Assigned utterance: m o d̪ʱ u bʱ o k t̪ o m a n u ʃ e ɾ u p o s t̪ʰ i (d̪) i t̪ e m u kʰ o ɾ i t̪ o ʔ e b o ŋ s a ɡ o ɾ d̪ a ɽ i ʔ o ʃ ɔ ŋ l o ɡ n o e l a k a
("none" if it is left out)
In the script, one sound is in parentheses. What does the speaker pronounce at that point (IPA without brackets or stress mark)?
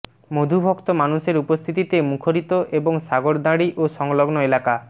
t̪